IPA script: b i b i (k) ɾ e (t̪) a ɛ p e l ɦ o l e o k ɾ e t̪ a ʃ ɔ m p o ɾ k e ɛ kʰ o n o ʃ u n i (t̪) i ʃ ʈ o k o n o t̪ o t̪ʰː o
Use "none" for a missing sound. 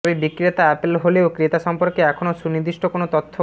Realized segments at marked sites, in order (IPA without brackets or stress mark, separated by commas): k, t̪, d̪